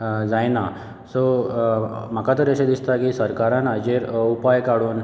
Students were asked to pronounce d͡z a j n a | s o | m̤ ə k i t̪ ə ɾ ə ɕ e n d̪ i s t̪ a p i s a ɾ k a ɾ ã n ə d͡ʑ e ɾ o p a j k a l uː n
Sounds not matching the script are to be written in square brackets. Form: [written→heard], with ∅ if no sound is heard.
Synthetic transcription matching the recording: d͡z a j n a | s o | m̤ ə k [i→a] t̪ ə ɾ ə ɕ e [n→∅] d̪ i s t̪ a [p→k] i s [a→ə] ɾ k a ɾ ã n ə d͡ʑ e ɾ [o→u] p a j k a [l→ɽ] uː n